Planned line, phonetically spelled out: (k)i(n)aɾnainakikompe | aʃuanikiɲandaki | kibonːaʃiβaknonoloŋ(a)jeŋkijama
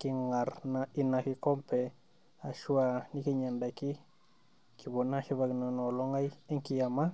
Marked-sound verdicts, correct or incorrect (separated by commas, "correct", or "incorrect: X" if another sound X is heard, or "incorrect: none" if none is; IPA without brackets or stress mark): correct, incorrect: ŋ, correct